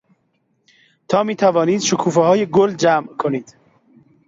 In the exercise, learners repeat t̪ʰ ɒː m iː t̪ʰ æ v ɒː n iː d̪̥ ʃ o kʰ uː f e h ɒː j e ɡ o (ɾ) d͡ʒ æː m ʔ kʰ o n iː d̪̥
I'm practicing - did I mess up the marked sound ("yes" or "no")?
yes